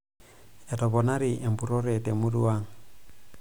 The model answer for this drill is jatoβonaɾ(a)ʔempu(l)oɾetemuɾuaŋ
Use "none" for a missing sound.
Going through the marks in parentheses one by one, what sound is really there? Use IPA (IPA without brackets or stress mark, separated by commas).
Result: i, ɾ